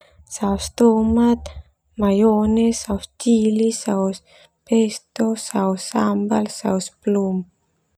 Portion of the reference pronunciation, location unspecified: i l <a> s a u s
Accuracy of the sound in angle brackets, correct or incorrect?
incorrect